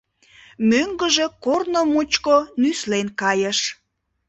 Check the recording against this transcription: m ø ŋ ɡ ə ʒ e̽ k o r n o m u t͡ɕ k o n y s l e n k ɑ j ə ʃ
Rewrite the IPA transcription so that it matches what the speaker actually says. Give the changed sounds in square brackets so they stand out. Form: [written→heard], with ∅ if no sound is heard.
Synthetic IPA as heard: m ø ŋ ɡ ə ʒ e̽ k o r n o m u t͡ɕ k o n y s l e n k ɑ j ə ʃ